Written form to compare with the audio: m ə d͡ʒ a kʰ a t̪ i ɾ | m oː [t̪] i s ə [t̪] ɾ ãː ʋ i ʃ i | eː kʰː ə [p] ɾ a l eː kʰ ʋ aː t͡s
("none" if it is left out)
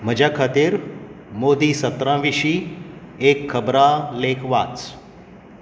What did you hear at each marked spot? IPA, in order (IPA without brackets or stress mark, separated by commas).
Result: d̪, t̪, b